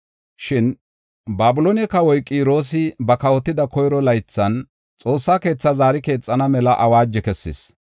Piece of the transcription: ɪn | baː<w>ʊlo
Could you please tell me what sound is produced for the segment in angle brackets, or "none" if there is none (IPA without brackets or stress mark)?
b